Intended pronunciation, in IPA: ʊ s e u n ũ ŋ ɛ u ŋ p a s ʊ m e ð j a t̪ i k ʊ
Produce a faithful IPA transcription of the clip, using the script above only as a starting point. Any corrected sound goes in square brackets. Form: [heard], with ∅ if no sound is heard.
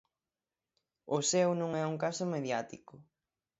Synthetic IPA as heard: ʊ s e [w] n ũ ŋ ɛ u ŋ [k] a s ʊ m e ð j a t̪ i k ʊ